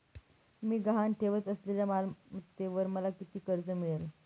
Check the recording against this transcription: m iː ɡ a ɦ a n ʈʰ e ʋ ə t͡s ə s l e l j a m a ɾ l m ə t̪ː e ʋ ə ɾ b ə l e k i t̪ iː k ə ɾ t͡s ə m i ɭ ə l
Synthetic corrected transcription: m iː ɡ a ɦ a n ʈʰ e ʋ ə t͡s ə s l e l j a m a l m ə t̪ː e ʋ ə ɾ m ə l a k i t̪ iː k ə ɾ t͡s ə m i ɭ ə l